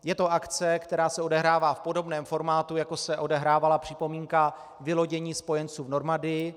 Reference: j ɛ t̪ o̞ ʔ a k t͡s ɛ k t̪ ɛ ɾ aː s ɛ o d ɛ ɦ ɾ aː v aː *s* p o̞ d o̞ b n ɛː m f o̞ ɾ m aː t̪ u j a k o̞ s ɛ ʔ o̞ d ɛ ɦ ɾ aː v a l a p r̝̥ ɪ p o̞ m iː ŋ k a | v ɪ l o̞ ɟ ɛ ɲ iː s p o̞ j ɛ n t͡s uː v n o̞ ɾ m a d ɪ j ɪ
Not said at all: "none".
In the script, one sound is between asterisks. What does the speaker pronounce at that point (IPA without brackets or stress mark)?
f